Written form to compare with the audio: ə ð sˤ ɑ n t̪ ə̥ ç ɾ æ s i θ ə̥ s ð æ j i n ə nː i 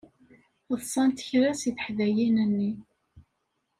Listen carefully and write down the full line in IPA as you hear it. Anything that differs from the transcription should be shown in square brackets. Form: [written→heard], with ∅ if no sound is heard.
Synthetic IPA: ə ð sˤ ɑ n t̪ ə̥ ç ɾ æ s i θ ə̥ [s→ħ] ð æ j i n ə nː i